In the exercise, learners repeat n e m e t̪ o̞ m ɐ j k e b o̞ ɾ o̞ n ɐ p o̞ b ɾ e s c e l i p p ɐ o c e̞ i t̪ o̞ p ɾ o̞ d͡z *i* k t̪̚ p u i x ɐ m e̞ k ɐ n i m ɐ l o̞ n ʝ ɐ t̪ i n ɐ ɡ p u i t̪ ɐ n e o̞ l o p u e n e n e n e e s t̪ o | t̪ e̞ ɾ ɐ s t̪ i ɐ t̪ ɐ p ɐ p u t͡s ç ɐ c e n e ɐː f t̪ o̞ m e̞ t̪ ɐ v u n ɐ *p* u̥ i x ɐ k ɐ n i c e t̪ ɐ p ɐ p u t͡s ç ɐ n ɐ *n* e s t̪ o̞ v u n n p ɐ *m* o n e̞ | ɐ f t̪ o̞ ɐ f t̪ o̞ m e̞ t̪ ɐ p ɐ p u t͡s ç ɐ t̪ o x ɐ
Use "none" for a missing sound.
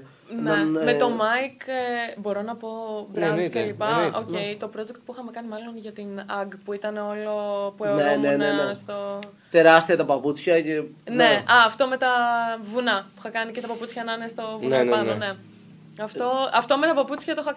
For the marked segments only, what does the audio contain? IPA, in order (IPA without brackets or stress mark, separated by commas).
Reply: e, p, n, n